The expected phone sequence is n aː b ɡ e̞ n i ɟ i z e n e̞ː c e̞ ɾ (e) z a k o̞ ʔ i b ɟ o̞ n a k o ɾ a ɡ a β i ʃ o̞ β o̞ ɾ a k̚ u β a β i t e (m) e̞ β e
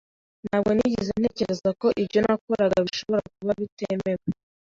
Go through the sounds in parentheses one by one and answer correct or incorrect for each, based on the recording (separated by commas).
correct, correct